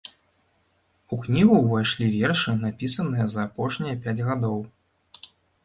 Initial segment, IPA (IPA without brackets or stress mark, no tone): u